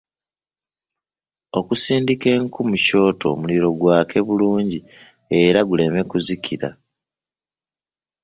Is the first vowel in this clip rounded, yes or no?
yes